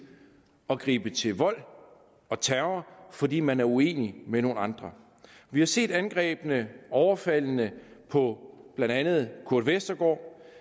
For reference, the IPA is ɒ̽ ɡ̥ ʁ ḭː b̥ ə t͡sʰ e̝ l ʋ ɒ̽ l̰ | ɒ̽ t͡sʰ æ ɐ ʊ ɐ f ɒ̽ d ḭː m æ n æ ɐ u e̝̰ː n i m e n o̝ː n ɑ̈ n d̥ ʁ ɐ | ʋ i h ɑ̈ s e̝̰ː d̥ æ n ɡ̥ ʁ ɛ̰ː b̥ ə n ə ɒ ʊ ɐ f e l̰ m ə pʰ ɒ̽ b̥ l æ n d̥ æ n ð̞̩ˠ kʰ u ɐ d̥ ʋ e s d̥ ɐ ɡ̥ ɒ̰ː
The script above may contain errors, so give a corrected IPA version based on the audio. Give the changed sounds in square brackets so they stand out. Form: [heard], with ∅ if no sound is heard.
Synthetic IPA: ɒ̽ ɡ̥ ʁ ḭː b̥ ə t͡sʰ e̝ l ʋ ɒ̽ l̰ | ɒ̽ t͡sʰ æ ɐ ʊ ɐ f ɒ̽ d ḭː m æ n æ ɐ u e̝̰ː n i m e n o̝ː n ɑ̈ n d̥ ʁ ɐ | ʋ i h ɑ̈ s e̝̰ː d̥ æ n ɡ̥ ʁ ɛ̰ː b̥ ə n ə ɒ ʊ ɐ f [æ] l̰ [n] ə pʰ ɒ̽ b̥ l æ n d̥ æ n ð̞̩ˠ kʰ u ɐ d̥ ʋ e s d̥ ɐ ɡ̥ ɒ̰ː